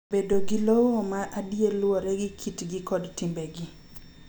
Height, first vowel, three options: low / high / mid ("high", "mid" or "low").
mid